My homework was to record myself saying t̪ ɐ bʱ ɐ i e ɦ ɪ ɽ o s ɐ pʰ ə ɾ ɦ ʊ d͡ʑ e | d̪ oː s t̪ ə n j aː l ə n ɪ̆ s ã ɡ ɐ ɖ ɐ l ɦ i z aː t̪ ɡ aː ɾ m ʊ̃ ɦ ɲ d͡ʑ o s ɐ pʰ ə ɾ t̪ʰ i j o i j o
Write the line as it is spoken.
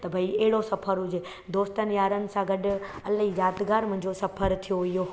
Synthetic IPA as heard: t̪ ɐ bʱ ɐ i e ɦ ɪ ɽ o s ɐ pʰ ə ɾ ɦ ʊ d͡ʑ e | d̪ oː s t̪ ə n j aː ɾ ə n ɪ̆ s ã ɡ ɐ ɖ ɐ l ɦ i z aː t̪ ɡ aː ɾ m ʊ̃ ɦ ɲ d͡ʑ o s ɐ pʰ ə ɾ t̪ʰ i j o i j o